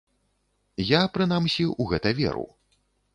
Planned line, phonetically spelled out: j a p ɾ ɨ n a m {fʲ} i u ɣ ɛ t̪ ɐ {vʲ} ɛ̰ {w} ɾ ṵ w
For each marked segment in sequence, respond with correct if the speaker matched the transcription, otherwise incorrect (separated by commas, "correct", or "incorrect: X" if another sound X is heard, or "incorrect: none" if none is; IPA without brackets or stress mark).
incorrect: sʲ, correct, incorrect: none